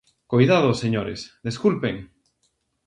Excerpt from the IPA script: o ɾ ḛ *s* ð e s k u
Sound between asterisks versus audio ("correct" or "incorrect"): correct